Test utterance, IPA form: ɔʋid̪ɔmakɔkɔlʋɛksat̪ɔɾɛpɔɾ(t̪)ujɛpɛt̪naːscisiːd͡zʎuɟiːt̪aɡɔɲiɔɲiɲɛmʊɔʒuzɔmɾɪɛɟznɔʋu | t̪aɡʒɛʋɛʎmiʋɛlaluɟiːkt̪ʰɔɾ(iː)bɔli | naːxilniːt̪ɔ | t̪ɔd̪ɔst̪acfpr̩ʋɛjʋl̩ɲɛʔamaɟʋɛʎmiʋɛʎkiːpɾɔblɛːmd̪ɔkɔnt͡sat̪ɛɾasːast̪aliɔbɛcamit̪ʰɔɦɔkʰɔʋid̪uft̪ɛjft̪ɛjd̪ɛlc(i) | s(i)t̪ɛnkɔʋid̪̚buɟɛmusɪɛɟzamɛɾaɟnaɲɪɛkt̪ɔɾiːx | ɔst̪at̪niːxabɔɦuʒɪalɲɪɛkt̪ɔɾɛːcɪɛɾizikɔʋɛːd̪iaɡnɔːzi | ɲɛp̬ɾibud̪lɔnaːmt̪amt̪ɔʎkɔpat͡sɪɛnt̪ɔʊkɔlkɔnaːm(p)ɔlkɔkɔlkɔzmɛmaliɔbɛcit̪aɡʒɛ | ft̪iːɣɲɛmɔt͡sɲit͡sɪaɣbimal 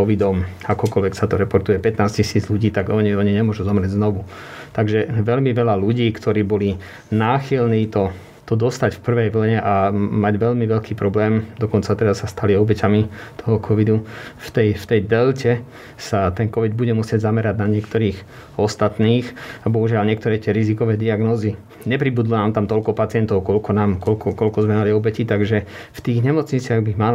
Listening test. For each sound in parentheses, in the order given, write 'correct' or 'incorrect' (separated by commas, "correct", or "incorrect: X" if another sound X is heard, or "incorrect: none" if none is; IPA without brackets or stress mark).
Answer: correct, correct, incorrect: ɛ, incorrect: a, incorrect: k